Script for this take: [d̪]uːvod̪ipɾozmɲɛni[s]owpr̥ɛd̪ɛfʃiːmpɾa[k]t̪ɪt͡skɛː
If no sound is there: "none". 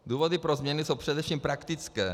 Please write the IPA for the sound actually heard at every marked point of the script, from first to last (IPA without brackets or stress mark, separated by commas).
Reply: d̪, s, k